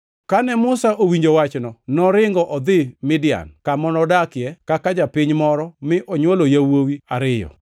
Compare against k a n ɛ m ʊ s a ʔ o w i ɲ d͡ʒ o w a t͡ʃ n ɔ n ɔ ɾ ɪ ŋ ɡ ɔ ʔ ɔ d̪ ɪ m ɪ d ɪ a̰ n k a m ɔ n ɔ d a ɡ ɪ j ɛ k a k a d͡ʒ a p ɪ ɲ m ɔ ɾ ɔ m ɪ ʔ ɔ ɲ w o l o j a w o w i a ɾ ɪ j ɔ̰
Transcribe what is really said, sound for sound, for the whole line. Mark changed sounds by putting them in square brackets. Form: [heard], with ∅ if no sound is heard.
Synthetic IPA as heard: k a n ɛ m ʊ s a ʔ o w i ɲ d͡ʒ o w a t͡ʃ n ɔ n ɔ ɾ ɪ ŋ ɡ ɔ ʔ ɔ d̪ ɪ m ɪ d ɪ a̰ n k a m ɔ n ɔ d a [k] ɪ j ɛ k a k a d͡ʒ a p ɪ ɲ m ɔ ɾ ɔ m ɪ ʔ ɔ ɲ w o l o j a w o w i a ɾ ɪ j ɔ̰